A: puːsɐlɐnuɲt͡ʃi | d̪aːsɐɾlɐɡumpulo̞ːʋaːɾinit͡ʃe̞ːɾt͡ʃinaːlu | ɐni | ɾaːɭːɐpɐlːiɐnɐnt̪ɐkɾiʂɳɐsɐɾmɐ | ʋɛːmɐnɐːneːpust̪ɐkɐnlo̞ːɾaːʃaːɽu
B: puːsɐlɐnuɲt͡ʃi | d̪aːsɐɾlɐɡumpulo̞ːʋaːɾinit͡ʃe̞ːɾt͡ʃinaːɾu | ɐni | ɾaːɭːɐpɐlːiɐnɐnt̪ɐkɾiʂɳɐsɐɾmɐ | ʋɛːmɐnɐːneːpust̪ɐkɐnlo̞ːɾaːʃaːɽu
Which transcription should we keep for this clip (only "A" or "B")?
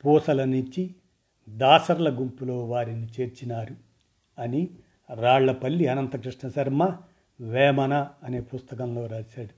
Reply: B